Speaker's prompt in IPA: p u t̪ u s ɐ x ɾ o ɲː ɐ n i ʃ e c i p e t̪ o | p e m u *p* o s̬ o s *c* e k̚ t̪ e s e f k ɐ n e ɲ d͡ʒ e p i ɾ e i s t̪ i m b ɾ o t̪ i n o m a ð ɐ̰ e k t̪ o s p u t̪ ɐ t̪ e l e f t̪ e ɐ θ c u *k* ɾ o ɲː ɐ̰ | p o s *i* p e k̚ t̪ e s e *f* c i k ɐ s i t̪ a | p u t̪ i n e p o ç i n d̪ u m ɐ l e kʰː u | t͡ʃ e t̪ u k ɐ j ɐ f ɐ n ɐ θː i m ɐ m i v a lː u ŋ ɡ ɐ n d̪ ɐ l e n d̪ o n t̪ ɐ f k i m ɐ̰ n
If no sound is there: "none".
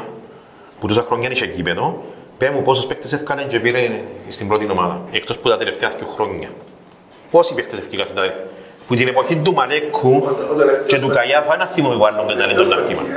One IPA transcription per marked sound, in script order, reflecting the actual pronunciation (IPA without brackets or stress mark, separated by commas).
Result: p, p, x, i, f